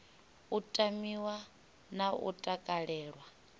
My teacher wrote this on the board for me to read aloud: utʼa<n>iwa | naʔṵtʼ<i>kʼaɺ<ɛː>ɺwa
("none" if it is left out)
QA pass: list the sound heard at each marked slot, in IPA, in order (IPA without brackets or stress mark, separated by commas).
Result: m, a, ɛː